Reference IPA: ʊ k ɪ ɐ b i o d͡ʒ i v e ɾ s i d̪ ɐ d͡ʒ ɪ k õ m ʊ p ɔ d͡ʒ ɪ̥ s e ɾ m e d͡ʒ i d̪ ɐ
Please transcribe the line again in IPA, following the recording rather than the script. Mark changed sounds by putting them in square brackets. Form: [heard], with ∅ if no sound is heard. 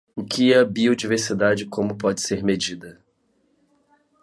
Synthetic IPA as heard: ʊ k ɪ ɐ b i o d͡ʒ i v e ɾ s i d̪ [a] d͡ʒ ɪ k õ m ʊ p ɔ d͡ʒ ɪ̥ s e ɾ m e d͡ʒ i d̪ ɐ